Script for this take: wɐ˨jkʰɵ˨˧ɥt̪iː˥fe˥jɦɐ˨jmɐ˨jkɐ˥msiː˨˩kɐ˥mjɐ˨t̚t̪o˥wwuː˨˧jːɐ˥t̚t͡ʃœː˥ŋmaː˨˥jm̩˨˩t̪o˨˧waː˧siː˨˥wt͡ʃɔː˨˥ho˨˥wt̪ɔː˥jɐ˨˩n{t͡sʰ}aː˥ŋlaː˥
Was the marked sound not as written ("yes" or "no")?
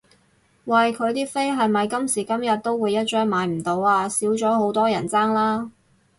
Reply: yes